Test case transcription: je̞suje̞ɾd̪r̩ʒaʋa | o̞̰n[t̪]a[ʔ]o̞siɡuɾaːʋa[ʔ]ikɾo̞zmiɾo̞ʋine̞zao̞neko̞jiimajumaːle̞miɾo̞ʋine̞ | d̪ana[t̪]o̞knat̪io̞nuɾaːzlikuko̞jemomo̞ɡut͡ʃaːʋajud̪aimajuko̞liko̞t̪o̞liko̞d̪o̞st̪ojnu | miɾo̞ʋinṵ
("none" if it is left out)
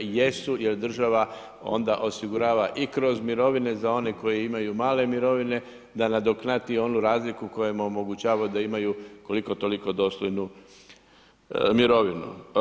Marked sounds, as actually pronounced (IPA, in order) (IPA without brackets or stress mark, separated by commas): d̪, ʔ, ʔ, d̪